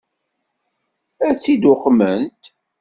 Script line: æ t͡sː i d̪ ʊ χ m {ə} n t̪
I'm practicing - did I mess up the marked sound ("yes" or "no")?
no